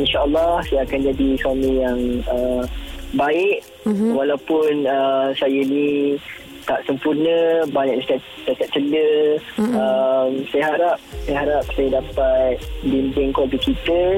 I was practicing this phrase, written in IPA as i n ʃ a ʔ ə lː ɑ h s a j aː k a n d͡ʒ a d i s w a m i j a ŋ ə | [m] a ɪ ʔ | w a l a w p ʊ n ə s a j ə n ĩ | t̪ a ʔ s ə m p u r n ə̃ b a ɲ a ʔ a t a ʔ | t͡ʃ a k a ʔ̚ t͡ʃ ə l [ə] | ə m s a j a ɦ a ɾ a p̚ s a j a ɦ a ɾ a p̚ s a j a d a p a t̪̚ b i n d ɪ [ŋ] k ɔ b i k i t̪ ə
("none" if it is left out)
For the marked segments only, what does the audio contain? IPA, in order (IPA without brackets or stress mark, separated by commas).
b, ə, ŋ